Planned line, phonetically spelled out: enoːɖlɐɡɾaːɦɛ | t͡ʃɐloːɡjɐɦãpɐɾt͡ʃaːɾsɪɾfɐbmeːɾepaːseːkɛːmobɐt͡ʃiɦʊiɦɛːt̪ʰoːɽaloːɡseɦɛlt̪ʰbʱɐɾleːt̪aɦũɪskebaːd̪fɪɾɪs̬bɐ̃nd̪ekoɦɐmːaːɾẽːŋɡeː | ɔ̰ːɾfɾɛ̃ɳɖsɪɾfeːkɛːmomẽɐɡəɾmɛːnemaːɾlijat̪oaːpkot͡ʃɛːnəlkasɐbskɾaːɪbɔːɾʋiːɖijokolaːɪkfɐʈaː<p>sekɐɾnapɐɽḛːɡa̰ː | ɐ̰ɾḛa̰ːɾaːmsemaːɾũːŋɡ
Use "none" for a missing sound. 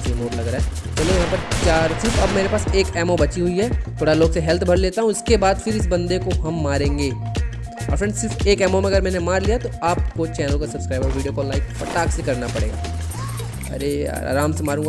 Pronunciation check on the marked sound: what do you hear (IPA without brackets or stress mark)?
k